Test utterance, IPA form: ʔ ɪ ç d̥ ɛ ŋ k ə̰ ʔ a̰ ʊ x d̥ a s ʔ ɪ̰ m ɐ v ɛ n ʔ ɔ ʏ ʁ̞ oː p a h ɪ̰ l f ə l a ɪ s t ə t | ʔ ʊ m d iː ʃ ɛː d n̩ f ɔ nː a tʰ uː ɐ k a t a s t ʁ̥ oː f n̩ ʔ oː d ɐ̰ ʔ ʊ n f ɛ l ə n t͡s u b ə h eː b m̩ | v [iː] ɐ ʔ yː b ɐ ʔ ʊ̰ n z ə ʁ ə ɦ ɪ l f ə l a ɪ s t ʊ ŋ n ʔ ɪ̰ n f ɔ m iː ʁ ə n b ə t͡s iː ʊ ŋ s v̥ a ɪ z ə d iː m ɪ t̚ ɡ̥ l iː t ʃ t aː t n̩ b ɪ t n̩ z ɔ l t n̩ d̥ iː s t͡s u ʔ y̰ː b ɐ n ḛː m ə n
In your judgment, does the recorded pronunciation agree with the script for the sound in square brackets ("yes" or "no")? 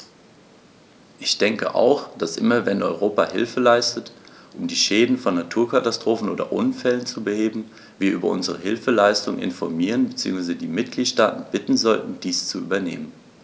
yes